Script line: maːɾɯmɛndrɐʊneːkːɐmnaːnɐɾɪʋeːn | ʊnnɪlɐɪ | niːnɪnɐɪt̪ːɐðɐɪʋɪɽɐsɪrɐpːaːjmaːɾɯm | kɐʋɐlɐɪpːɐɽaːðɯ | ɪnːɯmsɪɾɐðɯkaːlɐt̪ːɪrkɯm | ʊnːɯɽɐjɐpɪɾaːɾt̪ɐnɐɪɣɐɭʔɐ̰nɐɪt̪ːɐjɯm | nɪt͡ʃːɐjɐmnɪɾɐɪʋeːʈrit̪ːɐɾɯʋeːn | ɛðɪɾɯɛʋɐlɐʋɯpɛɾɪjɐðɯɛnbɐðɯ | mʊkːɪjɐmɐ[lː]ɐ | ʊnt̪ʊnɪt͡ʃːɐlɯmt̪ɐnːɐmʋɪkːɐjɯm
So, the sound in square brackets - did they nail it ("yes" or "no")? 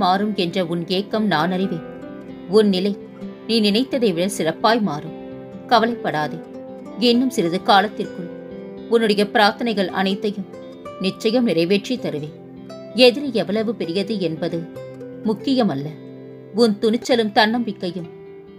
yes